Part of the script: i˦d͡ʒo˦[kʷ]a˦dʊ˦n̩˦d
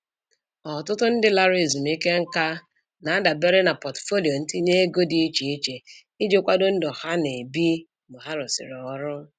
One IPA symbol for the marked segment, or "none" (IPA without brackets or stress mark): kʷ